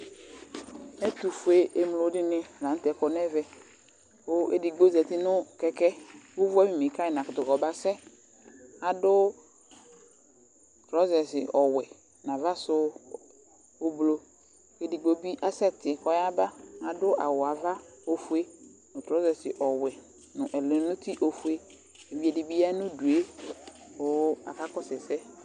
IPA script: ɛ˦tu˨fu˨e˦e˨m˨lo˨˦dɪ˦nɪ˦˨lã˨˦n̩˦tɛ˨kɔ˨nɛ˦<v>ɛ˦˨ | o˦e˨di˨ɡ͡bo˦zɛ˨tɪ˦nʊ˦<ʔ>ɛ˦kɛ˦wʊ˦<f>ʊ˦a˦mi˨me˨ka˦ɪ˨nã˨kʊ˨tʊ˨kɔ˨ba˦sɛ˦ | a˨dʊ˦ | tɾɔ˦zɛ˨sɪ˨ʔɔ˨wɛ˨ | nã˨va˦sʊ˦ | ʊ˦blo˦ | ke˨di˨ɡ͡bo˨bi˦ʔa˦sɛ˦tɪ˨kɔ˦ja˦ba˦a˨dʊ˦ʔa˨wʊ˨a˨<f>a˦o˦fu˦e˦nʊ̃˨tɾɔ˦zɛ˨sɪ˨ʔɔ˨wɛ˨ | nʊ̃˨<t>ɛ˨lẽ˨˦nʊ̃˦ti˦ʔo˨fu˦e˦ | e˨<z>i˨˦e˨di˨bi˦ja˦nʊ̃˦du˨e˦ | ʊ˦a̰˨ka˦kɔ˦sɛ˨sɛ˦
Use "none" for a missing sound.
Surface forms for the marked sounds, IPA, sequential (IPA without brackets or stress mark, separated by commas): v, k, v, v, ʔ, v